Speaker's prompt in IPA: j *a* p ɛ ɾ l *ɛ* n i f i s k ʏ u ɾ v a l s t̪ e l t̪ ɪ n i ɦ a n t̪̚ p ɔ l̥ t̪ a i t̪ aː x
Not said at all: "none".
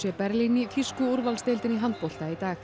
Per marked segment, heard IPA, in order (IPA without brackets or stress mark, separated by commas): ɛ, i